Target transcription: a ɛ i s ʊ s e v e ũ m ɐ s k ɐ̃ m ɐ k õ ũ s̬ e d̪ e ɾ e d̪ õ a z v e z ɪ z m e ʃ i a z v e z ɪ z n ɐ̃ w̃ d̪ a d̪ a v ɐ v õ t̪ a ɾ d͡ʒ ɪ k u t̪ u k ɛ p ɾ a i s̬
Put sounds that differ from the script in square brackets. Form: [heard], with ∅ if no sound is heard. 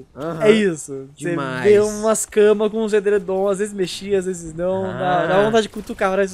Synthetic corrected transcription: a ɛ i s ʊ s e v e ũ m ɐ s k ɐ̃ m ɐ k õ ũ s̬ e d̪ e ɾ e d̪ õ a z v e z ɪ z m e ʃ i a z v e z ɪ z n ɐ̃ w̃ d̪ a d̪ a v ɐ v õ t̪ a [∅] d͡ʒ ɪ k u t̪ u k [a] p ɾ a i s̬